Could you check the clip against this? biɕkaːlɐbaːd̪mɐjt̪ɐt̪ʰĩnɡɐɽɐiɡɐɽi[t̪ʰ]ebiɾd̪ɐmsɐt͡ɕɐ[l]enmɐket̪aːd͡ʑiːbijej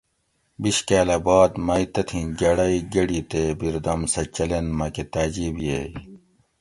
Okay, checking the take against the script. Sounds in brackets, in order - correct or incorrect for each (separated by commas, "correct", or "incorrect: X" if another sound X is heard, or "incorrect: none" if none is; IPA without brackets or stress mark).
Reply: incorrect: t̪, correct